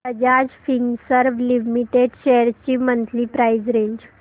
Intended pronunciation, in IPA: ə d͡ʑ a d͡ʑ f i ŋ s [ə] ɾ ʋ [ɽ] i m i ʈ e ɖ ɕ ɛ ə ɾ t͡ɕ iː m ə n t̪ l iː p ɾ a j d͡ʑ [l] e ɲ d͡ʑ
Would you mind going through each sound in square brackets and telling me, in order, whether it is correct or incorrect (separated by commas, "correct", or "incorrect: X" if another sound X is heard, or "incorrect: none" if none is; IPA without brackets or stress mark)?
correct, incorrect: l, incorrect: ɾ